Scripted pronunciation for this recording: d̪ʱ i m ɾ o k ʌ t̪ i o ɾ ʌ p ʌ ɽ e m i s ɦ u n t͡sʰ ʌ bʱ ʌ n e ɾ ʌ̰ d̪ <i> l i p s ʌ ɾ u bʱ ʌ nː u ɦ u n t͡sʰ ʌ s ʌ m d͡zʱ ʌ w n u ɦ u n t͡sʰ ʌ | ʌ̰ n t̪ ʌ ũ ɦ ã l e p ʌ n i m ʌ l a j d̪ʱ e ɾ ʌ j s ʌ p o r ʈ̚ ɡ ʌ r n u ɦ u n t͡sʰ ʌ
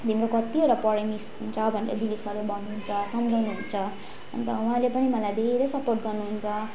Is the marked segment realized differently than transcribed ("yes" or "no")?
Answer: no